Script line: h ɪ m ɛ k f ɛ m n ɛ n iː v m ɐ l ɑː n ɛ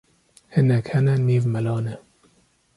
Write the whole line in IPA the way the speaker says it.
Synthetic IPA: h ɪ n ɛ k h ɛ n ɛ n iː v m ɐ l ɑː n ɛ